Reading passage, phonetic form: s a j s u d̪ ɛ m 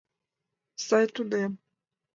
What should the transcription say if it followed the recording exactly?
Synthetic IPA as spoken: s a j t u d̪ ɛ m